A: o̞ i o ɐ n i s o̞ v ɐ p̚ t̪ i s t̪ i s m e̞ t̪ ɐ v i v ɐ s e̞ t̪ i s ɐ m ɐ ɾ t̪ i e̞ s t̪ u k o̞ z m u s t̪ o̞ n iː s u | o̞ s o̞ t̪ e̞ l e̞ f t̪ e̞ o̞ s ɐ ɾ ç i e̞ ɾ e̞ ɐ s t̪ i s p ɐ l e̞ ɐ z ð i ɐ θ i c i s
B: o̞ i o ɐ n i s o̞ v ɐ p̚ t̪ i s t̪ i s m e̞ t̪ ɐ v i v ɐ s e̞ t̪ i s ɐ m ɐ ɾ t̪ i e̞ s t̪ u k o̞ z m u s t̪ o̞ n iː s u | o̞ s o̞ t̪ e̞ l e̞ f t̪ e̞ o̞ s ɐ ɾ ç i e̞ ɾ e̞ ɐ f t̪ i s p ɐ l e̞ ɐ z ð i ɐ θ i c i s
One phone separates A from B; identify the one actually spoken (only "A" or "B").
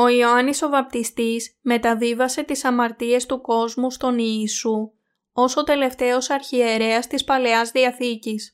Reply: A